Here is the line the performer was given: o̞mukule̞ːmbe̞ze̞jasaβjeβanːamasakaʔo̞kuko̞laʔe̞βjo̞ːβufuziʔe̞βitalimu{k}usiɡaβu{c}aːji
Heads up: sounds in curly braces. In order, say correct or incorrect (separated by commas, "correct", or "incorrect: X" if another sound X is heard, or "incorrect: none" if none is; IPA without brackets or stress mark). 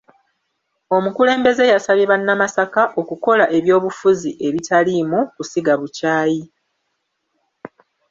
correct, correct